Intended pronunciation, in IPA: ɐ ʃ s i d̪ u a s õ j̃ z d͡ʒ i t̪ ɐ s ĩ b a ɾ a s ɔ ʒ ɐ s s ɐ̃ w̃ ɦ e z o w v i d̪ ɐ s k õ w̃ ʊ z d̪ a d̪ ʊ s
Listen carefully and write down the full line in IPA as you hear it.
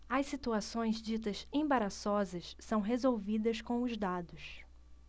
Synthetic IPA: ɐ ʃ s i t̪ u a s õ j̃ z d͡ʒ i t̪ ɐ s ẽ b a ɾ a s ɔ z ɐ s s ɐ̃ w̃ ɦ e z o w v i d̪ ɐ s k õ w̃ ʊ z d̪ a d̪ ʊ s